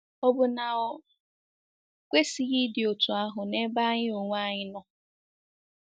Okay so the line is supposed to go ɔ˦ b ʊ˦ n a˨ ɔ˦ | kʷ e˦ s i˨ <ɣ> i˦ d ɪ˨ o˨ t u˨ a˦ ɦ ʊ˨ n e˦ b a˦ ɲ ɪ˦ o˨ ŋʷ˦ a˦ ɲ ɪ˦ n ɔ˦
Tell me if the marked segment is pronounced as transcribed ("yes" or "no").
yes